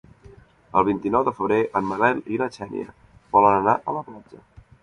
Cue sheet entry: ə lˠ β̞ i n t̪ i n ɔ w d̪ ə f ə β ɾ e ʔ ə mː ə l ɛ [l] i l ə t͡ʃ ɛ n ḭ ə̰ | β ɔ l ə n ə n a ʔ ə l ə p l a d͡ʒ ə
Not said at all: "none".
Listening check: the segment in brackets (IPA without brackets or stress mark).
l